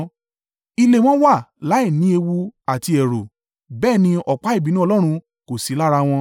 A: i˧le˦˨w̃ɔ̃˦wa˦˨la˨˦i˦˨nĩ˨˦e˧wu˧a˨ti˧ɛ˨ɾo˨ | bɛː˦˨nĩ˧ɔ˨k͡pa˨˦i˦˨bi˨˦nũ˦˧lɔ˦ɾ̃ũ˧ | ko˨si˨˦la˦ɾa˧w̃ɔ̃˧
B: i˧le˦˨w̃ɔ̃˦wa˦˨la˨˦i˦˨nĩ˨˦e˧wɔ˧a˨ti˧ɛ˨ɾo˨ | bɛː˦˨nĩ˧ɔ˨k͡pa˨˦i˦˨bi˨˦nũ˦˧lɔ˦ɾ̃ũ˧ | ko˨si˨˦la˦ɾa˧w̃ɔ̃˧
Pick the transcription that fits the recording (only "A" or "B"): A